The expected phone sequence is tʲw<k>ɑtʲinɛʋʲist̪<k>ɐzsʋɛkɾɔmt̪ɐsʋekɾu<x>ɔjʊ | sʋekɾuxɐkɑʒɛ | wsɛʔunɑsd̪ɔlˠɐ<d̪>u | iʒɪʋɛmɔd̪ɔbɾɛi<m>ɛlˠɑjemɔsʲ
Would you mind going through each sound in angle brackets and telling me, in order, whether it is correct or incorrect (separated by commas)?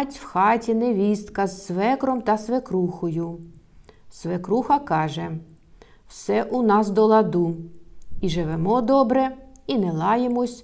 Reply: incorrect, correct, correct, correct, incorrect